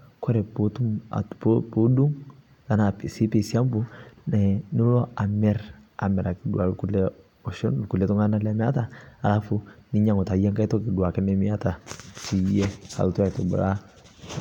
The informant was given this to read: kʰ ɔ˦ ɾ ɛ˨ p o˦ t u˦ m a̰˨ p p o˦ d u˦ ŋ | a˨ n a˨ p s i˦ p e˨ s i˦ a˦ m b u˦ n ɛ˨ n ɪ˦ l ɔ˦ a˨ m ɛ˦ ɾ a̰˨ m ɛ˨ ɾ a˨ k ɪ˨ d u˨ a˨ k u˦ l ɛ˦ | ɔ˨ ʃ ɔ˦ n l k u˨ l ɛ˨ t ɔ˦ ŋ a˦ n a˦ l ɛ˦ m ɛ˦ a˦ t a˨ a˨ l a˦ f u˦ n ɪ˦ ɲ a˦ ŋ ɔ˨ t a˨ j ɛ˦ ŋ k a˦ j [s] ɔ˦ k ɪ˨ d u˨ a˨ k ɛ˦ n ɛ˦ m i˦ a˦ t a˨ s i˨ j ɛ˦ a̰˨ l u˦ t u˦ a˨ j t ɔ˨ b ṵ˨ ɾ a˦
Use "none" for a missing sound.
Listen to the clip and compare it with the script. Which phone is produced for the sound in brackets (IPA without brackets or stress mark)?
t